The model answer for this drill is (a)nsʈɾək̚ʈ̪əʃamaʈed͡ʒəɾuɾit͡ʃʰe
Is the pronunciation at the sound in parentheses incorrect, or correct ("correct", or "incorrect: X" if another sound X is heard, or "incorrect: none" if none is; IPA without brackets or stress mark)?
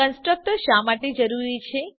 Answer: incorrect: ə